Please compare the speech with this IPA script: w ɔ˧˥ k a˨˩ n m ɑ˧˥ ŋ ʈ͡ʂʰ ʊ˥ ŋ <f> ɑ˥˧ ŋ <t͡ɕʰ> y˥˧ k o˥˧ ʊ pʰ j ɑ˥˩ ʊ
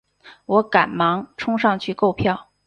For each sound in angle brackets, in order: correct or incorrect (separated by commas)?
incorrect, correct